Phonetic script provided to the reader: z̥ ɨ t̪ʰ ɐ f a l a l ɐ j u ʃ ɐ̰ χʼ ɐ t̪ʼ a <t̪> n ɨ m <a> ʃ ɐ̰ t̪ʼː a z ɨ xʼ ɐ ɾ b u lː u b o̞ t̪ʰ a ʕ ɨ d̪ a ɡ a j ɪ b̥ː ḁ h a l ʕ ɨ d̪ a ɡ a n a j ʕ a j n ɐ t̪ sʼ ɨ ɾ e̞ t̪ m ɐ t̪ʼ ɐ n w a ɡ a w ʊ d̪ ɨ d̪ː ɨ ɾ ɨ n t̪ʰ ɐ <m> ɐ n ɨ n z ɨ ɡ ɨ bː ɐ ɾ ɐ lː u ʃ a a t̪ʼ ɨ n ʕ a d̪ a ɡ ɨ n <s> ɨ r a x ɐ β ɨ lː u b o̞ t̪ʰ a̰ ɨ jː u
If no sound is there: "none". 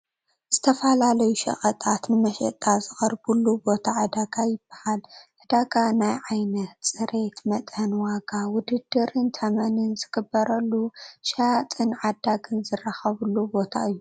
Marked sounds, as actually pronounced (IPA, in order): t̪, ɐ, m, z

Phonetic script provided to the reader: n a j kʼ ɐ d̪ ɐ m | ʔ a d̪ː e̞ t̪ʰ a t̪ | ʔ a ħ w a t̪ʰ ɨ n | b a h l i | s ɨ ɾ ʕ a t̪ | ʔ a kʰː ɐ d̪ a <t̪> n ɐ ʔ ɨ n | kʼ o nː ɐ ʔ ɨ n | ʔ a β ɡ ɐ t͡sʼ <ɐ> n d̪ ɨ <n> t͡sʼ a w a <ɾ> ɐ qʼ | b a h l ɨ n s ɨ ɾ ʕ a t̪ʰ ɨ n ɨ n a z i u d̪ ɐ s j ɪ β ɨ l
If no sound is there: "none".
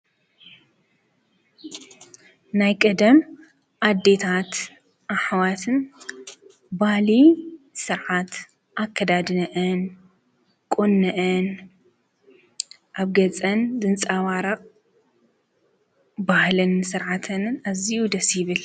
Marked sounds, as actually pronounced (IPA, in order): d̪, ɐ, n, ɾ

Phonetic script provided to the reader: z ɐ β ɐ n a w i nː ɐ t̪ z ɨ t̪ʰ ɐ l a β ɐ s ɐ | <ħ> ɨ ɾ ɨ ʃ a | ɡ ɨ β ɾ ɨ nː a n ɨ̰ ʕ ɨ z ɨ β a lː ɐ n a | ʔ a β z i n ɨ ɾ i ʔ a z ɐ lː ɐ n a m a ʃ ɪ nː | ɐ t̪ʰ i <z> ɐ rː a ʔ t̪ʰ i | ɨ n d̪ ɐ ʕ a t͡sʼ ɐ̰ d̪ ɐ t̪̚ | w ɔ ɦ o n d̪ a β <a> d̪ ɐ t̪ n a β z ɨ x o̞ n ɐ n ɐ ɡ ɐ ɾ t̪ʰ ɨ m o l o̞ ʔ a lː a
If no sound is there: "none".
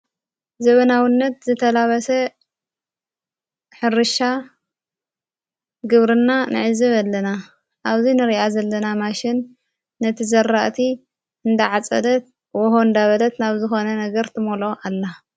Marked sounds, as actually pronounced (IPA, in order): ħ, z, ɐ

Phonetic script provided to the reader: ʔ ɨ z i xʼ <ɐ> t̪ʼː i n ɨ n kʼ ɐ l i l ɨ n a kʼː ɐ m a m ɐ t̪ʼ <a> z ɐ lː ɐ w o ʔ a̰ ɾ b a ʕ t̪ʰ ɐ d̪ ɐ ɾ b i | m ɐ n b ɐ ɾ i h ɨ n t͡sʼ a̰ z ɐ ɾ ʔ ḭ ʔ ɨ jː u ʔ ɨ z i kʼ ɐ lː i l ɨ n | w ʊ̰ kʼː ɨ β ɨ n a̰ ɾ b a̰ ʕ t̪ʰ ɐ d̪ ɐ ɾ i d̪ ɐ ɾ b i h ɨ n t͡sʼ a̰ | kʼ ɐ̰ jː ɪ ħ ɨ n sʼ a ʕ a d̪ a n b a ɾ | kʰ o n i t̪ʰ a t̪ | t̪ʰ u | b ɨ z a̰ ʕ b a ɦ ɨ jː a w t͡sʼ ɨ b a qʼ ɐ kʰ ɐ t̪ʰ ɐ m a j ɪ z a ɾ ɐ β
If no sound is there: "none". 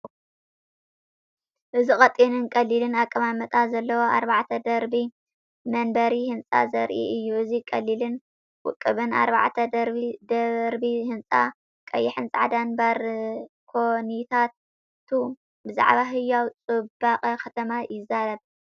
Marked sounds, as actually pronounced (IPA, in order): ɐ, a

